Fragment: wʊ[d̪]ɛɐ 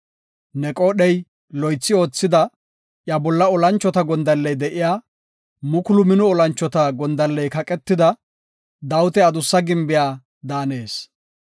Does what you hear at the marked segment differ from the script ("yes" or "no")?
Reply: yes